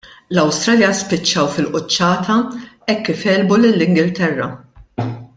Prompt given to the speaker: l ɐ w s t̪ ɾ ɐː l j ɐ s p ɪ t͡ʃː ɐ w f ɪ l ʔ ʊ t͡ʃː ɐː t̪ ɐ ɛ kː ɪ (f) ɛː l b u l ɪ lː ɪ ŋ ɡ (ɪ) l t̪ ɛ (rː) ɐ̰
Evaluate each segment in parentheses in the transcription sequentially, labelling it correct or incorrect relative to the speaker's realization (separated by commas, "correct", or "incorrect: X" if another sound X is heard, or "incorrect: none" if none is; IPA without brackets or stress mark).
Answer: correct, correct, correct